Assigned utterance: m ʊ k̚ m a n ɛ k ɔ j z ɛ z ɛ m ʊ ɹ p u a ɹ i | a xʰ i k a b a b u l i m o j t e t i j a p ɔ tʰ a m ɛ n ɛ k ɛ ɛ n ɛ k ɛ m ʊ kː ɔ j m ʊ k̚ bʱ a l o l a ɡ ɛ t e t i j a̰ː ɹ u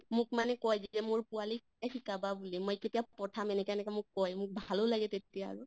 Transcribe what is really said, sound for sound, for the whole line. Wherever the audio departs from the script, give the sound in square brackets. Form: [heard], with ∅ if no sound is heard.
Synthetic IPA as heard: m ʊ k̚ m a n ɛ k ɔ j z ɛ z ɛ m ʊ ɹ p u a [l] i | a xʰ i k a b a b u l i m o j [k] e t i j a p ɔ tʰ a m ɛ n ɛ k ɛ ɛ n ɛ k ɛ m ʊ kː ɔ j m ʊ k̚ bʱ a l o l a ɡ ɛ t e t i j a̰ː ɹ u